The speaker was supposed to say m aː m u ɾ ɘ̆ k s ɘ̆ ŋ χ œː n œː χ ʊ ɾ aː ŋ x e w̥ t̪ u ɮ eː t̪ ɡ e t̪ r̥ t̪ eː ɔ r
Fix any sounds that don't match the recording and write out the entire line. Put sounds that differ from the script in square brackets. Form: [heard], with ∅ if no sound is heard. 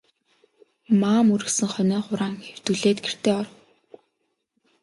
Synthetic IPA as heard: m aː m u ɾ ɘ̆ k s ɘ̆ ŋ χ [œ] n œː χ ʊ ɾ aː ŋ x e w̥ t̪ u ɮ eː t̪ ɡ e [∅] r̥ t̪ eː ɔ r

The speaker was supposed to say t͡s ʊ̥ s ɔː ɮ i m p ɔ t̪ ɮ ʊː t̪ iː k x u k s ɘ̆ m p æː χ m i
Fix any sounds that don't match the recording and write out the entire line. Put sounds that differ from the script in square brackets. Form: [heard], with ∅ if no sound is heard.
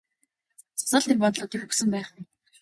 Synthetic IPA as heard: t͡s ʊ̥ s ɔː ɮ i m p ɔ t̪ ɮ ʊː t̪ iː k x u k s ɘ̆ m p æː χ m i

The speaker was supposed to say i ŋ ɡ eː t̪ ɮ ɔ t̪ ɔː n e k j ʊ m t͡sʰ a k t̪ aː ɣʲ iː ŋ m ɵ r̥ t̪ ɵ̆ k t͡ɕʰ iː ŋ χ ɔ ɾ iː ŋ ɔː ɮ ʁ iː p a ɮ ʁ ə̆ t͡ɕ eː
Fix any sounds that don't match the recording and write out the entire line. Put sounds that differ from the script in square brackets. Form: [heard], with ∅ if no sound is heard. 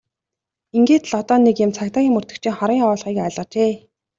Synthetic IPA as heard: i ŋ ɡ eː t̪ ɮ ɔ t̪ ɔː n e k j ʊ m t͡sʰ a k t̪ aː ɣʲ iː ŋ m ɵ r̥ t̪ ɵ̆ k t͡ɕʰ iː ŋ χ ɔ ɾ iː ŋ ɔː ɮ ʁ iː [k] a ɮ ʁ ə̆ t͡ɕ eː

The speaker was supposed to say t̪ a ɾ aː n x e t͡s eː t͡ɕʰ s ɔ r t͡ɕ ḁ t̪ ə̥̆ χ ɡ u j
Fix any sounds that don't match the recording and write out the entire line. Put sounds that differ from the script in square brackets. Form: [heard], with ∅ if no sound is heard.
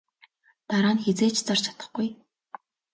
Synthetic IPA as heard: t̪ a ɾ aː n x e t͡s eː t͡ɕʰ [t͡s] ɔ r [t͡ɕʰ] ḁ t̪ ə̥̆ χ ɡ u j

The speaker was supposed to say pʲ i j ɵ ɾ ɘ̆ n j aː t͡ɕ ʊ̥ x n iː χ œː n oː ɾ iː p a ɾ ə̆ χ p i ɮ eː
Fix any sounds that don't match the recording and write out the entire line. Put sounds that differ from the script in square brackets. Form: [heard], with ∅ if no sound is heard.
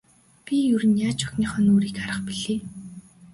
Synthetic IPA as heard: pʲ i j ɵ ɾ ɘ̆ n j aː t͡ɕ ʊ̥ x n iː χ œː n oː ɾ iː [k] a ɾ ə̆ χ p i ɮ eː

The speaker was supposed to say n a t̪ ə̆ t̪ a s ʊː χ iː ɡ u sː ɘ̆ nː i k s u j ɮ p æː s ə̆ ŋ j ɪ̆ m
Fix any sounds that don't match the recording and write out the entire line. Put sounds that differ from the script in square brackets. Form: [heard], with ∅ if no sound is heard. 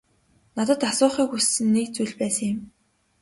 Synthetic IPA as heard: n a t̪ ə̆ t̪ a s ʊː χ iː [k] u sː ɘ̆ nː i k [t͡s] u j ɮ p æː s ə̆ ŋ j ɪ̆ m

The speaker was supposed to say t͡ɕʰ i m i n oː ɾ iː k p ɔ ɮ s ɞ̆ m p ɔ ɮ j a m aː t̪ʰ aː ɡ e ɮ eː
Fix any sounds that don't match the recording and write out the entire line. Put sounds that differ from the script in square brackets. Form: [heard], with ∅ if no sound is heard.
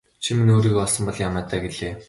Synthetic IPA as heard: t͡ɕʰ i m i n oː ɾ iː k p ɔ ɮ s ɞ̆ m p ɔ ɮ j a m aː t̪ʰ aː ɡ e ɮ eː

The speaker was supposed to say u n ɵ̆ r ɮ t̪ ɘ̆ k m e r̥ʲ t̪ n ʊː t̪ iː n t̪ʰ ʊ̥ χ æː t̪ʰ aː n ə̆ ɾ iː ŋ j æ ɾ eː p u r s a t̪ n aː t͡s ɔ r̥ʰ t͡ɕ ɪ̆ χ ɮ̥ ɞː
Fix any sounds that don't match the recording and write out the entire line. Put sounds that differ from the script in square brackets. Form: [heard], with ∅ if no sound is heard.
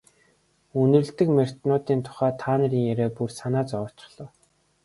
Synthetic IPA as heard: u n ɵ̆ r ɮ t̪ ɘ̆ k m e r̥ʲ t̪ n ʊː t̪ iː n t̪ʰ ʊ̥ χ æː t̪ʰ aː n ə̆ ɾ iː ŋ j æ ɾ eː p u r s a [∅] n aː t͡s ɔ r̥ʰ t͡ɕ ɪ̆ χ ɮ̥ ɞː

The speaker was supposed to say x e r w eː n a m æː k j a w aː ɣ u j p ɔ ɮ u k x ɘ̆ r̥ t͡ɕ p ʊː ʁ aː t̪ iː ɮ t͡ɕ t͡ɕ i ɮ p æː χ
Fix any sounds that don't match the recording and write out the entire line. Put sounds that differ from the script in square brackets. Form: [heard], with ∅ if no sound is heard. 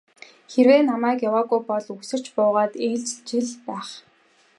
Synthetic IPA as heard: x e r w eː n a m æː k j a w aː ɣ u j p ɔ ɮ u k [s] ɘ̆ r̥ t͡ɕ p ʊː ʁ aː t̪ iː ɮ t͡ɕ t͡ɕ i ɮ p æː χ

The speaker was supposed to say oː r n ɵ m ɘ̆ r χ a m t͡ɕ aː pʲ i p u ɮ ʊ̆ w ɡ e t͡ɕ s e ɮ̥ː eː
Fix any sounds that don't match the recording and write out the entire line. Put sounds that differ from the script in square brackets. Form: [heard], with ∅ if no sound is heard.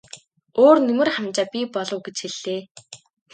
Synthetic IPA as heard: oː r n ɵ m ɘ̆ r χ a m t͡ɕ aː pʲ i p [ɔ] ɮ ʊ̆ w ɡ e t͡ɕ [x] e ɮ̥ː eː

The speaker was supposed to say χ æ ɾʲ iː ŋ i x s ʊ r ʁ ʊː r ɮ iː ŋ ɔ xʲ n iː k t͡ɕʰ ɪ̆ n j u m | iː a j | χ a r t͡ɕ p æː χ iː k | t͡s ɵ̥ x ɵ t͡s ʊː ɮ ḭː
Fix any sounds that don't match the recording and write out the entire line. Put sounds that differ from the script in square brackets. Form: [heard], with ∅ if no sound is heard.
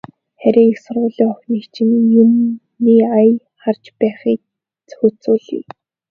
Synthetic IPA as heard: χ æ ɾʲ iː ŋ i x s ʊ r ʁ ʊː [∅] ɮ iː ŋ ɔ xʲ n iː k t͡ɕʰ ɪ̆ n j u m | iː a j | χ a r t͡ɕ p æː χ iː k | t͡s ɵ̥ x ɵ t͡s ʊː ɮ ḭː

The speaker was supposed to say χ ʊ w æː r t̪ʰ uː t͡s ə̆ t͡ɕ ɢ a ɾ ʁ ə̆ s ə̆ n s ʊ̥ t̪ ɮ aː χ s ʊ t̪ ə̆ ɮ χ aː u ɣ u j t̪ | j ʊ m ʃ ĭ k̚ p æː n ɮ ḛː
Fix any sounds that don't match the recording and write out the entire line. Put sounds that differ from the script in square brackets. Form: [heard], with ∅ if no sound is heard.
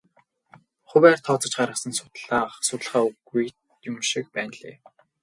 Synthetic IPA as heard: χ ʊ w æː r t̪ʰ [ɔː] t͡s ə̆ t͡ɕ ɢ a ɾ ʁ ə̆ s ə̆ n s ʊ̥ t̪ ɮ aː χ s ʊ t̪ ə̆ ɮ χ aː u ɣ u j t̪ | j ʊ m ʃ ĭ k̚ p æː n ɮ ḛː

